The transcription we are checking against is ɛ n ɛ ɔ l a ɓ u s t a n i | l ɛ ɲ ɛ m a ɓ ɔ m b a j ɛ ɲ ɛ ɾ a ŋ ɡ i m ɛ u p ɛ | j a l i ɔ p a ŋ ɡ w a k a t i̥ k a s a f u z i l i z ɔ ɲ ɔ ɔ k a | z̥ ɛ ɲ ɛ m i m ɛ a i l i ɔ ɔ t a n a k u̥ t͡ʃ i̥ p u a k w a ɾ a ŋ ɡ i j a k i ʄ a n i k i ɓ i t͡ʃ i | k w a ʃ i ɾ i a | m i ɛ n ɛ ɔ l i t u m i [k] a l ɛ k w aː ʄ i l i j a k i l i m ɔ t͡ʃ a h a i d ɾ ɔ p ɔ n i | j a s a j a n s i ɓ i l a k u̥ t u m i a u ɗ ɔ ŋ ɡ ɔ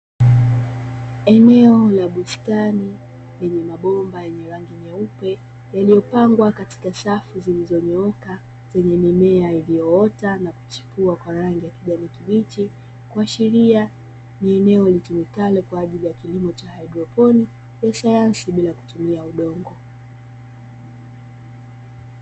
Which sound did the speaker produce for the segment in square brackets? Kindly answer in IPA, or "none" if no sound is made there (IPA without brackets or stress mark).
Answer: k